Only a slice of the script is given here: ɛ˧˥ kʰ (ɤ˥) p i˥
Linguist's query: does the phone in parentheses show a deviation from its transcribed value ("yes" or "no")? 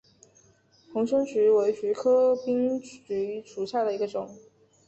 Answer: no